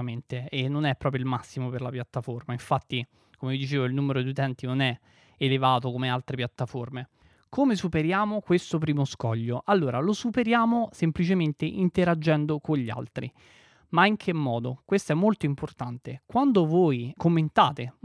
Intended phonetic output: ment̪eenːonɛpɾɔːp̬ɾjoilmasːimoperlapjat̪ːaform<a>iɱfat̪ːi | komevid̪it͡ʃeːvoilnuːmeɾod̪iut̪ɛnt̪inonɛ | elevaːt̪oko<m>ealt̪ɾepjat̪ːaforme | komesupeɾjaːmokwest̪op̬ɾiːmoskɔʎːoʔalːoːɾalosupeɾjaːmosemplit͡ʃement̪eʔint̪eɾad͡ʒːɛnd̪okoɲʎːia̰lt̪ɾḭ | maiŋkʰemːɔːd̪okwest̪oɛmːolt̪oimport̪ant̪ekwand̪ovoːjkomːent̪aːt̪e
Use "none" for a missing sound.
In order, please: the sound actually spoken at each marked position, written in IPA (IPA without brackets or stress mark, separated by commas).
a, m